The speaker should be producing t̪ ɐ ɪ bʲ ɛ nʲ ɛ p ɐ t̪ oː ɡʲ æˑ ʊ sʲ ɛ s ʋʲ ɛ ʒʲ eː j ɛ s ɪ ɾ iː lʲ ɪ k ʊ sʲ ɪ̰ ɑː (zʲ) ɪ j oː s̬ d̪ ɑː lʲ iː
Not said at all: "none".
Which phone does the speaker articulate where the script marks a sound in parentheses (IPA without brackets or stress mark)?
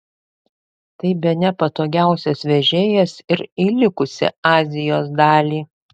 zʲ